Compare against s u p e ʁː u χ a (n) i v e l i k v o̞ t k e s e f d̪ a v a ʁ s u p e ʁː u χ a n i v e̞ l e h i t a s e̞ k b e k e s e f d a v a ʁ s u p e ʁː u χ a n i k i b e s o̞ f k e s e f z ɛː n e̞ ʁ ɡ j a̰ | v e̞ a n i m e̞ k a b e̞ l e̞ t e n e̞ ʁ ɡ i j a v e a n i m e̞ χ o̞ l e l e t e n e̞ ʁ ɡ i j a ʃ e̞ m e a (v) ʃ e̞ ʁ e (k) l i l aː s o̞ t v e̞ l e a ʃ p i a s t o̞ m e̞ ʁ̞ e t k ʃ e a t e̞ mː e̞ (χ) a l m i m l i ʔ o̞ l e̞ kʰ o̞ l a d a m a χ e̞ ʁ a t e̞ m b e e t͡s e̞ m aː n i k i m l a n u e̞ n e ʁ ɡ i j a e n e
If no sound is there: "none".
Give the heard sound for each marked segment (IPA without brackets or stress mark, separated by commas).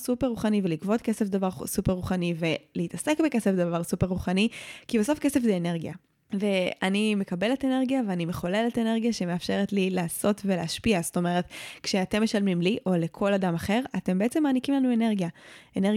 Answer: n, f, t, ʃ